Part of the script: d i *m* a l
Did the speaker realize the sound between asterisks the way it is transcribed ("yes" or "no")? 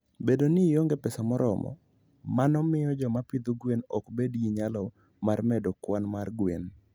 no